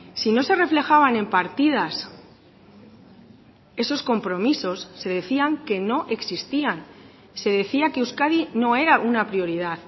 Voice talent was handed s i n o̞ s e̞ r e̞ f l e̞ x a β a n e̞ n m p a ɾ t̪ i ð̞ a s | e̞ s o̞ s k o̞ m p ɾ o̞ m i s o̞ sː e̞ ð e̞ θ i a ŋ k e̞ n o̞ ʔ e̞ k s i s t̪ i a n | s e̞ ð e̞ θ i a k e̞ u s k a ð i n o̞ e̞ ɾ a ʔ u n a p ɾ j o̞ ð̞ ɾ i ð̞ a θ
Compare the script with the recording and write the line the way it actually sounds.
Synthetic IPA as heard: s i n o̞ s e̞ r e̞ f l e̞ x a β a n e̞ m p a ɾ t̪ i ð̞ a s | e̞ s o̞ s k o̞ m p ɾ o̞ m i s o̞ sː e̞ ð e̞ θ i a ŋ k e̞ n o̞ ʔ e̞ k s i s t̪ i a n | s e̞ ð e̞ θ i a k e̞ u s k a ð i n o̞ e̞ ɾ a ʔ u n a p ɾ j o̞ ɾ i ð̞ a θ